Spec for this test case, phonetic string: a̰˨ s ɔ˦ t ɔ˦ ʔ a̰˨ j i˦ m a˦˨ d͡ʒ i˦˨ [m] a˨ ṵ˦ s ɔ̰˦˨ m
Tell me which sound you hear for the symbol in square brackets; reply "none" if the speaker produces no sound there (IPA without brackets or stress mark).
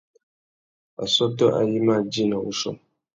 n